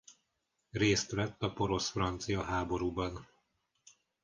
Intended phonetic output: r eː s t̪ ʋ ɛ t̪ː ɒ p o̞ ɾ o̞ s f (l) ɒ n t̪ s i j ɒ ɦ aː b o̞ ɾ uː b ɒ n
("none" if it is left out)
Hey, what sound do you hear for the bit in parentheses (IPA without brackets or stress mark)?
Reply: r